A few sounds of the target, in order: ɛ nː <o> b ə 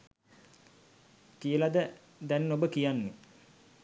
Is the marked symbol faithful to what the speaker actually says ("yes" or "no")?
yes